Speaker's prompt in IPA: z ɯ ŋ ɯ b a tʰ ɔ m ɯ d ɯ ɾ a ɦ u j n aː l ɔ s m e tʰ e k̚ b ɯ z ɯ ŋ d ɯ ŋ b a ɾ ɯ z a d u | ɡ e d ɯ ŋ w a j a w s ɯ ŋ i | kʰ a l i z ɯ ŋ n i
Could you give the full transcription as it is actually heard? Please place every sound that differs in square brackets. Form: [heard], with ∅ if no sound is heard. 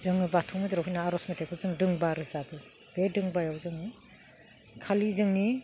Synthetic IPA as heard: z ɯ ŋ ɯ b a tʰ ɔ m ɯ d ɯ ɾ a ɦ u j n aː [ɾ] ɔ s m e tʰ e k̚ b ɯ z ɯ ŋ d ɯ ŋ b a ɾ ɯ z a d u | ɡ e d ɯ ŋ [b] a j a w [z] ɯ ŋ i | kʰ a l i z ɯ ŋ n i